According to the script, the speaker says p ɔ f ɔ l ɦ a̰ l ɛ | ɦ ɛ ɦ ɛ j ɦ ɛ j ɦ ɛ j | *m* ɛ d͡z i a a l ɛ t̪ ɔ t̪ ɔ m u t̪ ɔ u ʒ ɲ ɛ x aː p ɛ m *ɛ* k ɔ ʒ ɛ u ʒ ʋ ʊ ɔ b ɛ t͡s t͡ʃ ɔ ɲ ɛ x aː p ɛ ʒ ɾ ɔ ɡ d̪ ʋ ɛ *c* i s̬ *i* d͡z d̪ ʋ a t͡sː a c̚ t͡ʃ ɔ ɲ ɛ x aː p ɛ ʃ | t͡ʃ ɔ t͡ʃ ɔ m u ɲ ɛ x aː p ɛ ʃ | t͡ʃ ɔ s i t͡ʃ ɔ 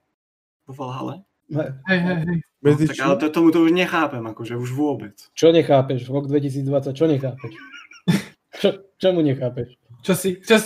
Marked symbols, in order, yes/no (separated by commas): yes, no, yes, no